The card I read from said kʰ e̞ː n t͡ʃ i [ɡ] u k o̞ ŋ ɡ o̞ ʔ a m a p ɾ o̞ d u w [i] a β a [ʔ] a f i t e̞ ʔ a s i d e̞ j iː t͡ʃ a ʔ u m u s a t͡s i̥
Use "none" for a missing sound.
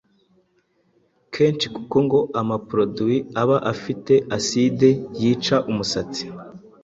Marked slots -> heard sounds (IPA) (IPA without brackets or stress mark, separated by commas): k, i, ʔ